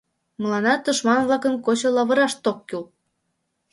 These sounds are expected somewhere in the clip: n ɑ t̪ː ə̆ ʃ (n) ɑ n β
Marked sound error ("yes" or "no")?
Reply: yes